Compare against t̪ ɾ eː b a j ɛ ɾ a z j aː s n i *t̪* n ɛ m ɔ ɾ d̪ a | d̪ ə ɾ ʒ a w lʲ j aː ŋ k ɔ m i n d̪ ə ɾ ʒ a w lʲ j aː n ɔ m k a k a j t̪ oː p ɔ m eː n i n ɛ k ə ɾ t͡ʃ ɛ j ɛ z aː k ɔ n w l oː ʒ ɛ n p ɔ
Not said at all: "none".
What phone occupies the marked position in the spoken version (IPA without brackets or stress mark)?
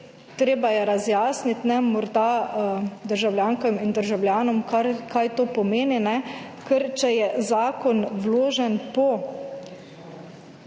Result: t̪